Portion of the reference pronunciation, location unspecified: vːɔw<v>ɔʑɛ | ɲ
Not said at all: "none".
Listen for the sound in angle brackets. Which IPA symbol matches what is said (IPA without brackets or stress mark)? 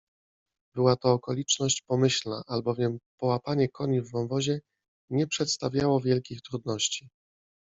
v